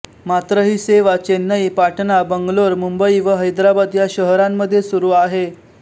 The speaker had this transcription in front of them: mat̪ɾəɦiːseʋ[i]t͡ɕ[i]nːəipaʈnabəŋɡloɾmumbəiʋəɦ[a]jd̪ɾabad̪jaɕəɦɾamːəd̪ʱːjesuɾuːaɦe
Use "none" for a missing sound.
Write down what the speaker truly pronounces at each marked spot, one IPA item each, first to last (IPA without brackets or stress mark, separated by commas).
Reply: a, e, ə